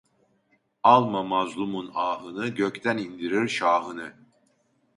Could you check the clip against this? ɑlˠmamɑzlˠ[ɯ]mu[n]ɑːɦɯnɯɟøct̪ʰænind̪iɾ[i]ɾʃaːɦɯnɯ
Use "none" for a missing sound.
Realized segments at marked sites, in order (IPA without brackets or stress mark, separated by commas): u, n, i